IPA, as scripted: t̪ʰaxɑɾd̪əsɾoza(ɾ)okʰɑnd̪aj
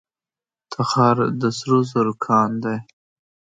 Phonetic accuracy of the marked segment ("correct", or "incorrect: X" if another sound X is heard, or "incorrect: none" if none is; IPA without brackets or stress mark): correct